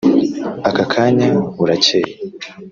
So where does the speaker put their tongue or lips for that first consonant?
velum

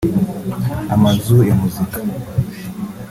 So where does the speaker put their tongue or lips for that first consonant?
lips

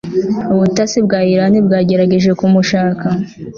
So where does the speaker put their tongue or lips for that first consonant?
lips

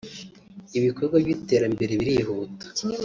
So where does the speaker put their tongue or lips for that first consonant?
lips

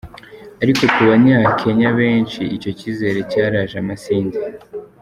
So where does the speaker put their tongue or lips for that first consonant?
tongue tip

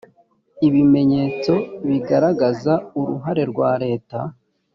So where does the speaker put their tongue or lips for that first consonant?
lips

